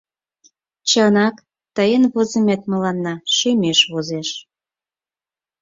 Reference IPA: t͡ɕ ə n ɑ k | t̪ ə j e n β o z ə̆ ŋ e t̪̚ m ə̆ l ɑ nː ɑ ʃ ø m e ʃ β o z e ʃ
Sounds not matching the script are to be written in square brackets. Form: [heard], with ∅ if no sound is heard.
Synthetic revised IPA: t͡ɕ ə n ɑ k | t̪ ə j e n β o z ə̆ [m] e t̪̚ m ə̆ l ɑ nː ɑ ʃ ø m e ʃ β o z e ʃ